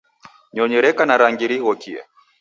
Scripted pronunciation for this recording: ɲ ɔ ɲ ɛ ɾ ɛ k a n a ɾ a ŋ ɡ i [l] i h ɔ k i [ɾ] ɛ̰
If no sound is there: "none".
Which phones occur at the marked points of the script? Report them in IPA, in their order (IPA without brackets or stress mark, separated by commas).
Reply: ɾ, none